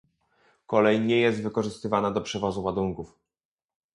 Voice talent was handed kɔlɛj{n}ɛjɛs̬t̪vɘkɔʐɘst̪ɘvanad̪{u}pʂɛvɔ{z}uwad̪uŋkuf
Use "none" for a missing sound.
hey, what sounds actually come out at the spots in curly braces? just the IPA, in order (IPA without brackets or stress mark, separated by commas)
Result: ɲ, ɔ, z